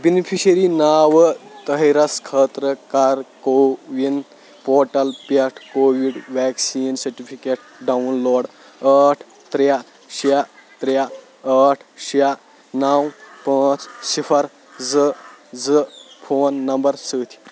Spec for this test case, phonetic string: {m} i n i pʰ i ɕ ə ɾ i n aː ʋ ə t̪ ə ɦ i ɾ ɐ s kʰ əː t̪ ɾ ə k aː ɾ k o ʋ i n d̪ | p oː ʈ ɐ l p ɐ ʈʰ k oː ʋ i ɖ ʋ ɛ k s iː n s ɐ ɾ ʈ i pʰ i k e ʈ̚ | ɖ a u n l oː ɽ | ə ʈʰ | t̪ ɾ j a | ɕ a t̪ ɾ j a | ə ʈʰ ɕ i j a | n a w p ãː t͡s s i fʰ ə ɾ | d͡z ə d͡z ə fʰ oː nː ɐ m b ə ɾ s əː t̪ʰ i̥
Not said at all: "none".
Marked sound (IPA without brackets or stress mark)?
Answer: b